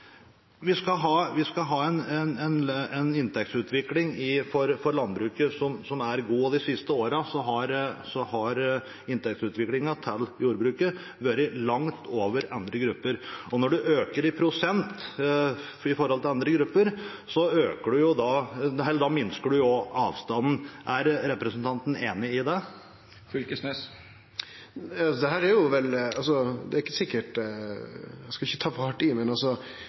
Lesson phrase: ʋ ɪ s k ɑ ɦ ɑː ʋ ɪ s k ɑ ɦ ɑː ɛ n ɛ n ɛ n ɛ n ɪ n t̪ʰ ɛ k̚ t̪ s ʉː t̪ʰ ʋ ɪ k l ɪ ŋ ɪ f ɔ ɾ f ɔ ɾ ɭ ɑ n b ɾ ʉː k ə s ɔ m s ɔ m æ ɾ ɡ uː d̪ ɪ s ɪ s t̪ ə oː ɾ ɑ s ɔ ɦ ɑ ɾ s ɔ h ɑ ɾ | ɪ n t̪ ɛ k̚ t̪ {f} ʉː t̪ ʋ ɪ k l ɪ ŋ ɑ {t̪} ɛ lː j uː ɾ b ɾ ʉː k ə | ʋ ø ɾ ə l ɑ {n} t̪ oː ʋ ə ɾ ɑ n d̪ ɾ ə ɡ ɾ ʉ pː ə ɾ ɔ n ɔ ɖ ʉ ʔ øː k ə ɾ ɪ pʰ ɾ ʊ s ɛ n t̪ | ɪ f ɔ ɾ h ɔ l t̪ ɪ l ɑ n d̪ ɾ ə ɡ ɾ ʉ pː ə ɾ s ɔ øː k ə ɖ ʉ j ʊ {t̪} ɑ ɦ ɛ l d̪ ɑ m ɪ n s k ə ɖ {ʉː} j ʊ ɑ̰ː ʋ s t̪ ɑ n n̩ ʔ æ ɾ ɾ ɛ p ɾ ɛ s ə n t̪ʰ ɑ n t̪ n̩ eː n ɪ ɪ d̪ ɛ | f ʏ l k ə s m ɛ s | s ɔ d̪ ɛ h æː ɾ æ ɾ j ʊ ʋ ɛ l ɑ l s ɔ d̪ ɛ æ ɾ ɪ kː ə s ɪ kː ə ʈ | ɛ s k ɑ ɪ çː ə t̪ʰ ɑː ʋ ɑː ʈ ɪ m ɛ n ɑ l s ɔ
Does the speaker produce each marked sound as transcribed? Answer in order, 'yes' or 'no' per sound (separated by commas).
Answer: no, no, no, no, no